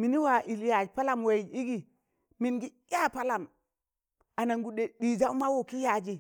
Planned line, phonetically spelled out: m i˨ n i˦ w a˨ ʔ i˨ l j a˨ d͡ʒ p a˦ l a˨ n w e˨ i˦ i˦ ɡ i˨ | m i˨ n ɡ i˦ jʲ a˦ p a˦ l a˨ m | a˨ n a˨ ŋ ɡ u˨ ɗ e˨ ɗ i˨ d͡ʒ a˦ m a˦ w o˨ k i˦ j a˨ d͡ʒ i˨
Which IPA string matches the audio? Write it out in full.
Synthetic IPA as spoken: m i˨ n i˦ w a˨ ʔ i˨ l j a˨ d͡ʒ p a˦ l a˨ m w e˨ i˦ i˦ ɡ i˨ | m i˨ n ɡ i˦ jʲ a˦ p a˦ l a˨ m | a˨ n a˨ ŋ ɡ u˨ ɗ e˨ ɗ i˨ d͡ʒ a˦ m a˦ w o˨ k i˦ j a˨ d͡ʒ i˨

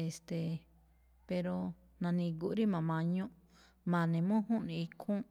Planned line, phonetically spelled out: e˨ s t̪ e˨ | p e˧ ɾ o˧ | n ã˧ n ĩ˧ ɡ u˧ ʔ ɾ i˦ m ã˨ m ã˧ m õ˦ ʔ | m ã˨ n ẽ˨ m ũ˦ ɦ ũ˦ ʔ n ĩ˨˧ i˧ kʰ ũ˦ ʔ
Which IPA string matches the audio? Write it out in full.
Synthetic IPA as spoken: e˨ s t̪ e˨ | p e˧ ɾ o˧ | n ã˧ n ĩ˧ ɡ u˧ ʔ ɾ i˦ m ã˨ m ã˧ ɲ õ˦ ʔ | m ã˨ n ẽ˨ m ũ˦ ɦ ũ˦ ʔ n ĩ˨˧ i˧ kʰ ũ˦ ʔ

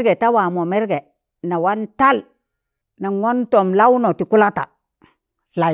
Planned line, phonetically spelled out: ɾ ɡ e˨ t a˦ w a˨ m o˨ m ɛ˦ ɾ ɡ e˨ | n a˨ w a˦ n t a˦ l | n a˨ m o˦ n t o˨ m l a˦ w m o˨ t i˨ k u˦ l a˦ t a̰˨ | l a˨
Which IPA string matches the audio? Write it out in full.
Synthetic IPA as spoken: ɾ ɡ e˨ t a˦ w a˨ m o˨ m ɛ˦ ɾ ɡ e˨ | n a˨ w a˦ n t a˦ l | n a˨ ŋ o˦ n t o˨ m l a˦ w n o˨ t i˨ k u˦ l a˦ t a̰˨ | l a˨

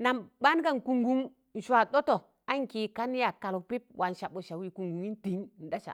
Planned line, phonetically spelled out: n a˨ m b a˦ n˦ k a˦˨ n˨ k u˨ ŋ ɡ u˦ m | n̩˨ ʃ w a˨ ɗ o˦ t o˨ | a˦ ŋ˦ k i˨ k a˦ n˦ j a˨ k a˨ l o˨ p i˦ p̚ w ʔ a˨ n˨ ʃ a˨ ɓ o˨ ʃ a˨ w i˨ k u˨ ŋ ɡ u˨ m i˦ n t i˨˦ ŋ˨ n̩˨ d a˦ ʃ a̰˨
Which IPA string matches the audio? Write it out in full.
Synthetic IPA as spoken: n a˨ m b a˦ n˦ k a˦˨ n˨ k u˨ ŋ ɡ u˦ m | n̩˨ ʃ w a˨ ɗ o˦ t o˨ | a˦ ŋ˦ k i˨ k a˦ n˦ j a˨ k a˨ l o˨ p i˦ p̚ w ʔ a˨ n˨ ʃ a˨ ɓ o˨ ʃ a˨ w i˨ k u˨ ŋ ɡ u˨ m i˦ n t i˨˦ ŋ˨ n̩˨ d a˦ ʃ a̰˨

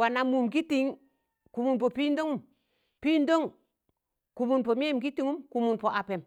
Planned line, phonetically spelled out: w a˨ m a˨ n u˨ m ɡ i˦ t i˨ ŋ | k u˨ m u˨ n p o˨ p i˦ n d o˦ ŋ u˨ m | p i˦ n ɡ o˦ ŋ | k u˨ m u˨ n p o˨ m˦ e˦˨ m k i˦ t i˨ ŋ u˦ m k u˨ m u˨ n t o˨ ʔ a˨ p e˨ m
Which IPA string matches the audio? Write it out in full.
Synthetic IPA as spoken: w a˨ n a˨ m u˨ m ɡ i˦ t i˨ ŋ | k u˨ m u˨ n p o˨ p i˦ n d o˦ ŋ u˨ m | p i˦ n d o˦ ŋ | k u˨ m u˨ n p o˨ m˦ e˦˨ m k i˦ t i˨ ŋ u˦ m k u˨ m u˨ n p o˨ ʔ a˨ p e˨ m

